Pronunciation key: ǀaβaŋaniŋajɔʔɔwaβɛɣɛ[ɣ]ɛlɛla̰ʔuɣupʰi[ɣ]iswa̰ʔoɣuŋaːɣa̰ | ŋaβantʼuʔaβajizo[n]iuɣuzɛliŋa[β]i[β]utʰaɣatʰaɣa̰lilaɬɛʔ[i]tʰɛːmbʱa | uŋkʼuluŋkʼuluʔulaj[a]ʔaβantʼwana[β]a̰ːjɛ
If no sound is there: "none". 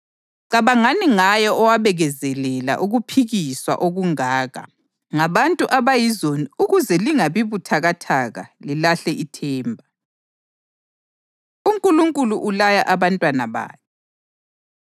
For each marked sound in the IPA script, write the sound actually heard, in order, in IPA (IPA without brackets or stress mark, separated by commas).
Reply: z, ɣ, n, β, β, i, a, β